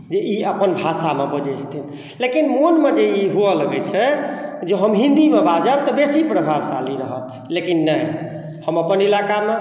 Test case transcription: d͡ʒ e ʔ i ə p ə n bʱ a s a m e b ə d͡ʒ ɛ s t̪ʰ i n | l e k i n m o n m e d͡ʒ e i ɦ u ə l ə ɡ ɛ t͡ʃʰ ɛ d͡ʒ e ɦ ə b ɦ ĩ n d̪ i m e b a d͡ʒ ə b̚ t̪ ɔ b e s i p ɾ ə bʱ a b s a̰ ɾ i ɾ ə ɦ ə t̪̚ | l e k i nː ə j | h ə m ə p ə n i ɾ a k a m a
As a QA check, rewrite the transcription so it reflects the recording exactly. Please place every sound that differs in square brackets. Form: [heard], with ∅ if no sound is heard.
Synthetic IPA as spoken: d͡ʒ e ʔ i ə p ə n bʱ a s a m e b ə d͡ʒ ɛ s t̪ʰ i n | l e k i n m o n m e d͡ʒ e i ɦ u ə l ə ɡ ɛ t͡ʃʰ ɛ d͡ʒ e ɦ ə [m] ɦ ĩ n d̪ i m e b a d͡ʒ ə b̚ t̪ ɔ b e s i p ɾ ə bʱ a b s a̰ [l] i ɾ ə ɦ ə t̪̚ | l e k i nː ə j | h ə m ə p ə n i [l] a k a m [e]